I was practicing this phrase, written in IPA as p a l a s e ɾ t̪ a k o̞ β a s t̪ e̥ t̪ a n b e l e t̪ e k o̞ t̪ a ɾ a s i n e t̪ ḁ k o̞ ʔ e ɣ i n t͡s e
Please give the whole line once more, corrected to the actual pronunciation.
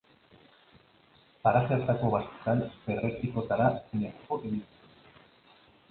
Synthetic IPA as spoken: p a ɾ a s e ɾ t̪ a k o̞ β a s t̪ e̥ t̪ a n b e r e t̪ i k o̞ t̪ a ɾ a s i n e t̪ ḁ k o̞ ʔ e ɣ i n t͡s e